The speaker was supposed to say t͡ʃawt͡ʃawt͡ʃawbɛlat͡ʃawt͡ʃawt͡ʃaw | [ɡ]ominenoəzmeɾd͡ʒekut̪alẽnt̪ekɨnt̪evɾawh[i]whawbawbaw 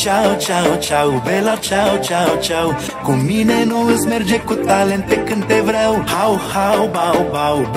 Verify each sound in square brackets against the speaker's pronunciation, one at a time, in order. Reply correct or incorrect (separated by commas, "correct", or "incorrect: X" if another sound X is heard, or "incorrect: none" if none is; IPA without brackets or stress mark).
incorrect: k, incorrect: a